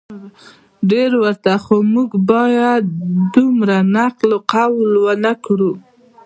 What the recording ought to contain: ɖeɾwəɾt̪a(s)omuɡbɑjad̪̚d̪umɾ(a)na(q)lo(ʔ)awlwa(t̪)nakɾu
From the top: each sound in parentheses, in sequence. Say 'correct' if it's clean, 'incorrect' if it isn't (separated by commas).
incorrect, correct, correct, incorrect, incorrect